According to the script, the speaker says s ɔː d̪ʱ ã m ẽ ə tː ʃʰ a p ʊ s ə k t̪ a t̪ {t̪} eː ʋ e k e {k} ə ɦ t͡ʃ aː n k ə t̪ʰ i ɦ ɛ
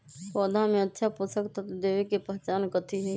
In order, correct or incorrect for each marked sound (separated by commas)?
incorrect, incorrect